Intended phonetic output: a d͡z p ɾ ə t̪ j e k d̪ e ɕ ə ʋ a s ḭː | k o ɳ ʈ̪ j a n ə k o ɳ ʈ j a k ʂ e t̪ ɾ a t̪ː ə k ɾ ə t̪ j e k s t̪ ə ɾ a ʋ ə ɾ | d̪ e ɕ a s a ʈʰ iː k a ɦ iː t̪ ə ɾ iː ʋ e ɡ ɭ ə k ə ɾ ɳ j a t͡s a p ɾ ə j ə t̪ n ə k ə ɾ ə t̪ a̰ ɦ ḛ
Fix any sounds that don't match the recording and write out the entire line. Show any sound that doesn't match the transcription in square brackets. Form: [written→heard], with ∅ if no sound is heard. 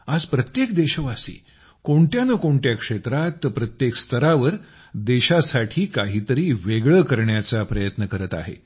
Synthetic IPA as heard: a d͡z p ɾ ə t̪ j e k d̪ e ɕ ə ʋ a s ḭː | k o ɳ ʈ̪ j a n ə k o ɳ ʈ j a k ʂ e t̪ ɾ a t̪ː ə [k→p] ɾ ə t̪ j e k s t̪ ə ɾ a ʋ ə ɾ | d̪ e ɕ a s a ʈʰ iː k a ɦ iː t̪ ə ɾ iː ʋ e ɡ ɭ ə k ə ɾ ɳ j a t͡s a p ɾ ə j ə t̪ n ə k ə ɾ ə t̪ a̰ ɦ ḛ